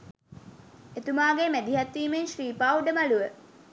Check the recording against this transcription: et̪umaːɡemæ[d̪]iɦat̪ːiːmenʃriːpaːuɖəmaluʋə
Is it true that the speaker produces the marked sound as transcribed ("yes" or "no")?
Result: yes